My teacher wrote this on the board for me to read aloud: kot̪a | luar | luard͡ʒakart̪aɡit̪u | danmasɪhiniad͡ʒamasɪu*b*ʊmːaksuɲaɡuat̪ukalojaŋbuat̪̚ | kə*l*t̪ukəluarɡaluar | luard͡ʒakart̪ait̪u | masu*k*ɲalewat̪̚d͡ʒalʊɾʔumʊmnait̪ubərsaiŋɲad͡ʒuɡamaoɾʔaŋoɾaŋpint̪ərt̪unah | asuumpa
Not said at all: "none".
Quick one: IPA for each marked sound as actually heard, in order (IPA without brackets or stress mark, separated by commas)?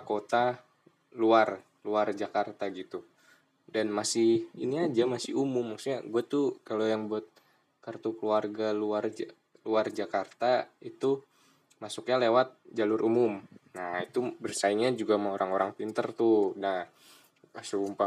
m, r, k